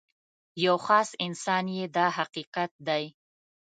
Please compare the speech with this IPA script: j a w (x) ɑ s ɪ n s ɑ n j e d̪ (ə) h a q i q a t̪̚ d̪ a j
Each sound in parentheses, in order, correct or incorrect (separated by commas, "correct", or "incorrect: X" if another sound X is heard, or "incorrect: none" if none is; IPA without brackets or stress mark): correct, incorrect: ɑ